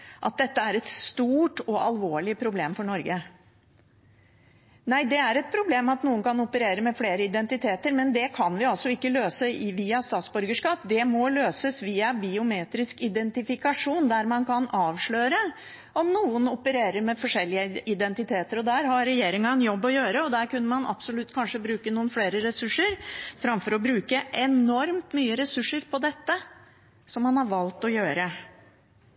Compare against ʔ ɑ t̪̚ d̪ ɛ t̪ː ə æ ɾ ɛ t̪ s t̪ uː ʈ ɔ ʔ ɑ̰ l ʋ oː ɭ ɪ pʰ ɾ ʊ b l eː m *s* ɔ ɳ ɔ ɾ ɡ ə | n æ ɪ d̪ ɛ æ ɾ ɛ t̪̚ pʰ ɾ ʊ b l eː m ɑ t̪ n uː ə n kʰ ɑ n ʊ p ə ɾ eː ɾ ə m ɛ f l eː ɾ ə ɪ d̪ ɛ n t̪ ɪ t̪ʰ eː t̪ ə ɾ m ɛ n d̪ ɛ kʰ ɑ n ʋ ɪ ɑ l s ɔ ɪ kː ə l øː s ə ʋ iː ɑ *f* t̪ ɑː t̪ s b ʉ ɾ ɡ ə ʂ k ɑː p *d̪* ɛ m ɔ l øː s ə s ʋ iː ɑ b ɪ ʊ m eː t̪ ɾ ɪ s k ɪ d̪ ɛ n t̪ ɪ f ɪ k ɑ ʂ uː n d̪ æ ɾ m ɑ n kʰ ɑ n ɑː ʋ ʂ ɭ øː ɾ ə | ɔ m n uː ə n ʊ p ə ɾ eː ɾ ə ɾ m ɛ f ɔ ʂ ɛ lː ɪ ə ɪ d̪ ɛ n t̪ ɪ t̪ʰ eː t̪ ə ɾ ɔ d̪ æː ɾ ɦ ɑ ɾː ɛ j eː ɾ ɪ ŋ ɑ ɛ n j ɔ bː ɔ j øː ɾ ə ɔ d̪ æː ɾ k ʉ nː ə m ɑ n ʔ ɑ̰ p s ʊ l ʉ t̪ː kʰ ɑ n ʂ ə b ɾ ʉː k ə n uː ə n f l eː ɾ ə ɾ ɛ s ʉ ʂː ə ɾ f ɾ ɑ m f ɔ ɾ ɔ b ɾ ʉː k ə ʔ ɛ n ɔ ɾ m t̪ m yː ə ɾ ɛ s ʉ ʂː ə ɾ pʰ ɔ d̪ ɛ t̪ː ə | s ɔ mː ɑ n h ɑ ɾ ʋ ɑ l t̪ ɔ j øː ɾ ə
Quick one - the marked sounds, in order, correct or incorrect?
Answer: incorrect, incorrect, correct

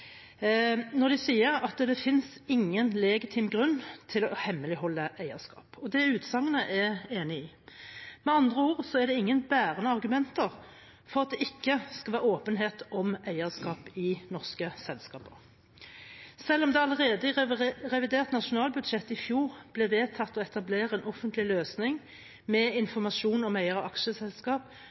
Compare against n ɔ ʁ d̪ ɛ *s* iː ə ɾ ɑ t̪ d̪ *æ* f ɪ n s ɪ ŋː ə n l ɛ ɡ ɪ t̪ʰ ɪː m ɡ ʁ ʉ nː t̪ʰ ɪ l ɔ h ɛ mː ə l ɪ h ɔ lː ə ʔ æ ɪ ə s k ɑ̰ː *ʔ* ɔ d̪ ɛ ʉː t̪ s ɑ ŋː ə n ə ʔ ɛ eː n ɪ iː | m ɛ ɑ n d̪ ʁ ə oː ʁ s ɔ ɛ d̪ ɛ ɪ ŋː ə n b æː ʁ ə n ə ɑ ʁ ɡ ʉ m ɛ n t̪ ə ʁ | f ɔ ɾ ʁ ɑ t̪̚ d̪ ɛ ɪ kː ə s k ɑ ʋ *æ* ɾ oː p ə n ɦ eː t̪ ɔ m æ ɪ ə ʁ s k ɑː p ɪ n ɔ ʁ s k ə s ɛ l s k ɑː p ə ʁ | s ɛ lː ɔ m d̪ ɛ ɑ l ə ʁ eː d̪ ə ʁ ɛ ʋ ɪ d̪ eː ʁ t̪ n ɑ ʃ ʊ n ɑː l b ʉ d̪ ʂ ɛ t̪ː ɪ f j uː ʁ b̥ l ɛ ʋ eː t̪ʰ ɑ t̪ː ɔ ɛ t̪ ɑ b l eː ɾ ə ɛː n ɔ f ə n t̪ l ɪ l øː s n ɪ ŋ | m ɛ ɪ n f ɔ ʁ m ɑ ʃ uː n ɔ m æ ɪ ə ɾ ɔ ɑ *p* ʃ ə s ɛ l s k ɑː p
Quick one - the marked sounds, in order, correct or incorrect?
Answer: correct, incorrect, incorrect, incorrect, incorrect

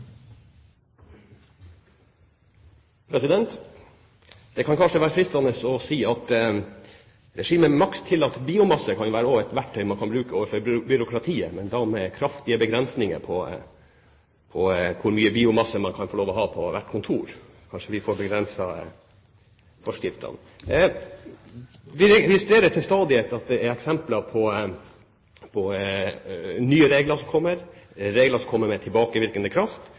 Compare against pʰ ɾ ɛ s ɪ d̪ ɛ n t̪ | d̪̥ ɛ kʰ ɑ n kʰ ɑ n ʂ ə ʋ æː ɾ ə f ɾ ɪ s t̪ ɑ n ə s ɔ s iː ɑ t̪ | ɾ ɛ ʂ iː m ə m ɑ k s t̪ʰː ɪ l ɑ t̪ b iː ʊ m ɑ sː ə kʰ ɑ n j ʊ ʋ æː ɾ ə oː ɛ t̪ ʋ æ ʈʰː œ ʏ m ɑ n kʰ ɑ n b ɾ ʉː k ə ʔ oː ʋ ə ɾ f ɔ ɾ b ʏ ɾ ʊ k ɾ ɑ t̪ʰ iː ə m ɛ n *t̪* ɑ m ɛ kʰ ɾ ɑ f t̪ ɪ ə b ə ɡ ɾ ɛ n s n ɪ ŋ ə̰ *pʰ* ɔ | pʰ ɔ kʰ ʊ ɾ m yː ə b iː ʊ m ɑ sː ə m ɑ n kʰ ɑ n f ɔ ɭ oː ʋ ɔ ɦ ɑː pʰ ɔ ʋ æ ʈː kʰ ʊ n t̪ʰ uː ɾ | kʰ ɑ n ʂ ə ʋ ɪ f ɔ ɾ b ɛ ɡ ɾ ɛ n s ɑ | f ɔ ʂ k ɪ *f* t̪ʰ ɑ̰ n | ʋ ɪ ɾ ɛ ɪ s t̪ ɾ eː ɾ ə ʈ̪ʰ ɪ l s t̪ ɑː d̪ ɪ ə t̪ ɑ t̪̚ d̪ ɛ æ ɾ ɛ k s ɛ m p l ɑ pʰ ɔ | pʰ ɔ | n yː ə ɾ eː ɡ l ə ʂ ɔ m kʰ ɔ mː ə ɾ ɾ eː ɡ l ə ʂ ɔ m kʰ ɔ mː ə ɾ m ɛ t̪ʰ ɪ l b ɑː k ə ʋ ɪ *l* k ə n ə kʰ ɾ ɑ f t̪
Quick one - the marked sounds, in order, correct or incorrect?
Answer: incorrect, correct, correct, incorrect

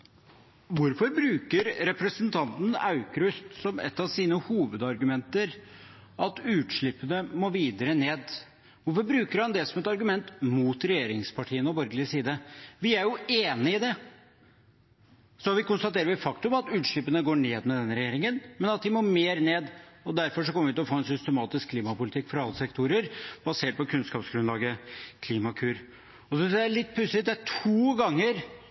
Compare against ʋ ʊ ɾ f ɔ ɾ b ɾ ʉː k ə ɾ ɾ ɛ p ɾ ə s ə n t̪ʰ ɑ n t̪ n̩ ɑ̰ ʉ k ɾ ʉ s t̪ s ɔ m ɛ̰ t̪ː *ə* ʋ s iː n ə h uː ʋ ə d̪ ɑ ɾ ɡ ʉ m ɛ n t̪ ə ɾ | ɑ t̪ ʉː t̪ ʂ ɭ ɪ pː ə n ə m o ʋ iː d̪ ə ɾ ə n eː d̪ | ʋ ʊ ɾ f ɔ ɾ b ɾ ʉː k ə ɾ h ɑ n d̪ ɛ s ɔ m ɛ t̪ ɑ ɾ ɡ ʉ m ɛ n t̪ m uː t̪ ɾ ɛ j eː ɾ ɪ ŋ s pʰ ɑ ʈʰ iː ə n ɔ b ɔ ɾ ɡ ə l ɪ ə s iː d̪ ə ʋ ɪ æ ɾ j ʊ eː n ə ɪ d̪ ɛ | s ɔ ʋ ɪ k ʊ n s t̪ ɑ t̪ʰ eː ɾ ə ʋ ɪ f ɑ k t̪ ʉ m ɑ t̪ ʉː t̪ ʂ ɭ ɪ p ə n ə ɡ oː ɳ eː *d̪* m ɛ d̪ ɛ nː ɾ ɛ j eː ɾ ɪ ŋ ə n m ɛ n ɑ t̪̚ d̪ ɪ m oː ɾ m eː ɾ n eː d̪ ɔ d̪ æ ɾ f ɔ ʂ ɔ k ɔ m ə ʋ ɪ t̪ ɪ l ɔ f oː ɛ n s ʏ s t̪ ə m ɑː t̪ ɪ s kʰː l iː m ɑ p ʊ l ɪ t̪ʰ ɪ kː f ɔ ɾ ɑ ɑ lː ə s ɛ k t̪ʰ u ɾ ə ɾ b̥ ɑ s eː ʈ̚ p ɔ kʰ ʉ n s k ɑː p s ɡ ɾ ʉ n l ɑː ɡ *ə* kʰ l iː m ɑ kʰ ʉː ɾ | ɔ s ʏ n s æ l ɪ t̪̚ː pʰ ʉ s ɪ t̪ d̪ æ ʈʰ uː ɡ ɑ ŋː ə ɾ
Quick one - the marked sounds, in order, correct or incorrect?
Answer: incorrect, correct, correct

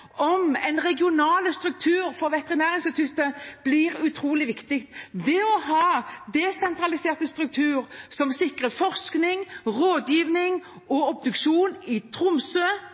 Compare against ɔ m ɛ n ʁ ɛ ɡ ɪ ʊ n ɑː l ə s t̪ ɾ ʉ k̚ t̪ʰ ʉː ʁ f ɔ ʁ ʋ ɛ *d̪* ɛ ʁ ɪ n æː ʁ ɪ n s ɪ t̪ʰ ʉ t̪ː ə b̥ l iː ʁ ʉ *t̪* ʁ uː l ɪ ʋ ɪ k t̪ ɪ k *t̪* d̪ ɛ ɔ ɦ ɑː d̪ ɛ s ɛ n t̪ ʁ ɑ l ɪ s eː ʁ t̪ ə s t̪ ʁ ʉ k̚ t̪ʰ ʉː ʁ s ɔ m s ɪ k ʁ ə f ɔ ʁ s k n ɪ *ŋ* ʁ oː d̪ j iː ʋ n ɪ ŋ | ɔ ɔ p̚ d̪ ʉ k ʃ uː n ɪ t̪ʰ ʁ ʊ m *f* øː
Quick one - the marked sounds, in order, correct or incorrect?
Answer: incorrect, incorrect, correct, correct, incorrect

